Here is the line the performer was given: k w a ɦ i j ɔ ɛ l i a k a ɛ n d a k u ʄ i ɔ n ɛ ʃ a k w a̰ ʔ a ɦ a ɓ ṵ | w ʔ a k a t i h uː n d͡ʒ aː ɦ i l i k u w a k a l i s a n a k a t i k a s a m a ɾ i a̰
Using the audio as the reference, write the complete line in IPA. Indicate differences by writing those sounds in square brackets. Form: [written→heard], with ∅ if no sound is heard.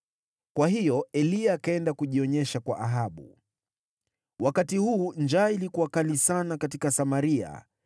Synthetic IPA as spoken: k w a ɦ i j ɔ ɛ l i a k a ɛ n d a k u ʄ i ɔ [n→ɲ] ɛ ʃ a k w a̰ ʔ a ɦ a ɓ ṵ | w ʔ a k a t i h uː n d͡ʒ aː [ɦ→∅] i l i k u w a k a l i s a n a k a t i k a s a m a ɾ i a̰